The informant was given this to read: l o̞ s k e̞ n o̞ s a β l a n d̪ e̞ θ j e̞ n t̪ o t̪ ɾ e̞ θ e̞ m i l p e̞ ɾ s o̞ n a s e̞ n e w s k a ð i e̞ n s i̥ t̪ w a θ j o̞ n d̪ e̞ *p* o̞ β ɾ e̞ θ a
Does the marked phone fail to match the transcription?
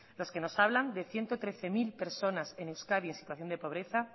no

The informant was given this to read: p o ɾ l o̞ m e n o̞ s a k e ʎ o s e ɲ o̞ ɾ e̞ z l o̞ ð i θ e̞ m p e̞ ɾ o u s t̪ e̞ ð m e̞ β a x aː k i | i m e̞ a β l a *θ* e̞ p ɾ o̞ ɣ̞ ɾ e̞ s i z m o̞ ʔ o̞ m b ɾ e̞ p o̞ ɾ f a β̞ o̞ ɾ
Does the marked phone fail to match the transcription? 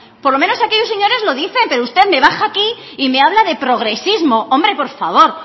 yes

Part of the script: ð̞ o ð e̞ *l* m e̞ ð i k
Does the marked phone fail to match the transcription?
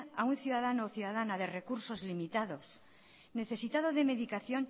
yes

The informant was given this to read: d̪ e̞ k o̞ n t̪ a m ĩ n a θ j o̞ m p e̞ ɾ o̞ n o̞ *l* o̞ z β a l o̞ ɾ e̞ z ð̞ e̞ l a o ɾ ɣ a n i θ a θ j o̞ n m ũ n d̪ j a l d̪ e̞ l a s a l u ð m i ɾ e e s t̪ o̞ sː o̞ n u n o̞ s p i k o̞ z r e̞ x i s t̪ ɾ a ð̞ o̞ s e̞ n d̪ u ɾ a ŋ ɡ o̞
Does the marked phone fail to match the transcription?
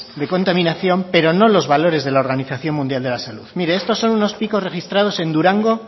no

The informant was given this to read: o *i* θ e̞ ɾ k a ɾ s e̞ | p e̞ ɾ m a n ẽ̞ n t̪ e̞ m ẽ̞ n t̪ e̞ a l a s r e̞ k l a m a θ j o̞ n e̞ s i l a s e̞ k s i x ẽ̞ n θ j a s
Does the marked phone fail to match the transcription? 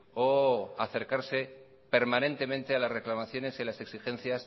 yes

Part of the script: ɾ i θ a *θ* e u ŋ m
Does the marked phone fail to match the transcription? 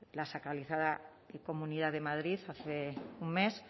no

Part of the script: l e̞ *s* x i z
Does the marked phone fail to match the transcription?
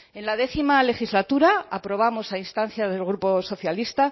yes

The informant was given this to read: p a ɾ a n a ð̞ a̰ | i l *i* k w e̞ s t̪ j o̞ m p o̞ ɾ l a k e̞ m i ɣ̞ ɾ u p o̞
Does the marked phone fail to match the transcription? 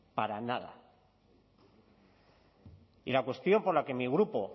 yes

